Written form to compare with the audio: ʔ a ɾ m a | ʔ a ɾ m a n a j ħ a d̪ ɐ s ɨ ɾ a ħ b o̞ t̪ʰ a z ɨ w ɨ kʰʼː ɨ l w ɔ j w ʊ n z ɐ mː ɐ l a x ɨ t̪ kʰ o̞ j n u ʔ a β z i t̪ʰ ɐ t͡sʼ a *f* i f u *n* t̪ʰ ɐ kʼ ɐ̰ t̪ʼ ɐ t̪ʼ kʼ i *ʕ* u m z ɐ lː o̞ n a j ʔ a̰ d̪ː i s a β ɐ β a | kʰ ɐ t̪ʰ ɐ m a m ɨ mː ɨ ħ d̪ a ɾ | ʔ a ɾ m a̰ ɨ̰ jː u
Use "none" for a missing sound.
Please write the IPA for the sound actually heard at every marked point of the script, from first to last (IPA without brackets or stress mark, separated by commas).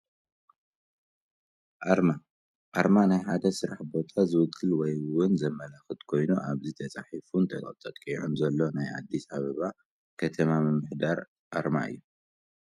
ħ, n, ʕ